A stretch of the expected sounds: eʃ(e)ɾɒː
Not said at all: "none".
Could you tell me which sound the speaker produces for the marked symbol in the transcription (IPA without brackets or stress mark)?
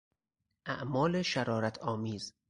æ